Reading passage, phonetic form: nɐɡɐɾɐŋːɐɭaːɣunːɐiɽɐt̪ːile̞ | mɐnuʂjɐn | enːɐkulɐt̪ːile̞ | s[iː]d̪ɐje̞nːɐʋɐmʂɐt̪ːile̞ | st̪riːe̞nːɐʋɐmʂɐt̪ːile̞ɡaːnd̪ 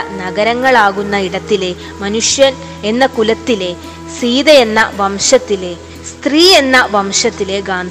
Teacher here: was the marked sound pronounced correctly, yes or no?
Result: yes